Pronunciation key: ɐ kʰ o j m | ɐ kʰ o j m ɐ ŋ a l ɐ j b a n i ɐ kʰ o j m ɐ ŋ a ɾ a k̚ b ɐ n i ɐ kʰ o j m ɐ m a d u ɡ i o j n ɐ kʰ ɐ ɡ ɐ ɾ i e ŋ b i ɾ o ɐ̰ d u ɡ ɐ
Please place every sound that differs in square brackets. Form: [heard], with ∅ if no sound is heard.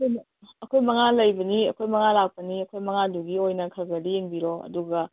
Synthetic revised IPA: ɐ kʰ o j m | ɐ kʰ o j m ɐ ŋ a l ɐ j b [ɐ] n i ɐ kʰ o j m ɐ ŋ a [l] a k̚ [p] ɐ n i ɐ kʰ o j m ɐ [ŋ] a d u ɡ i o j n ɐ kʰ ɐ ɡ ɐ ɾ i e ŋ b i ɾ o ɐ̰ d u ɡ ɐ